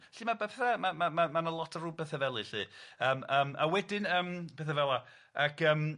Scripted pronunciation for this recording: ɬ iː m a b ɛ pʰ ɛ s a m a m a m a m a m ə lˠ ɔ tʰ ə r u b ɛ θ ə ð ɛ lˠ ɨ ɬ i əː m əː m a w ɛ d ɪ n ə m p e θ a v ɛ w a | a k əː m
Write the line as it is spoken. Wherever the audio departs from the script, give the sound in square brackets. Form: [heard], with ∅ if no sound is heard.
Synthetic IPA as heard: ɬ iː m a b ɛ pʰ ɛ [θ] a m a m a m a m a [n] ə lˠ ɔ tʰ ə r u b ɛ θ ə [v] ɛ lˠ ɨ ɬ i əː m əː m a w ɛ d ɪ n ə m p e θ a v ɛ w a | a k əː m